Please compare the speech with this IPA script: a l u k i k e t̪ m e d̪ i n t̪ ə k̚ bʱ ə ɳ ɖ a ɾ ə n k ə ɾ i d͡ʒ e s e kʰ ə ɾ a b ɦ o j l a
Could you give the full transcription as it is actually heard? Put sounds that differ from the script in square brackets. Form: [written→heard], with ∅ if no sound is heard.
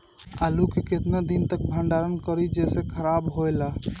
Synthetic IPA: a l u k [i→e] k e t̪ [m→n] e d̪ i n t̪ ə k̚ bʱ ə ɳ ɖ a ɾ ə n k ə ɾ i d͡ʒ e s e kʰ ə ɾ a b ɦ o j l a